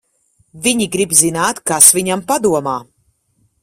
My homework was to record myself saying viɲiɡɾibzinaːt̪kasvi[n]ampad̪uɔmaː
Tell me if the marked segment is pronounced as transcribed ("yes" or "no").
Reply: no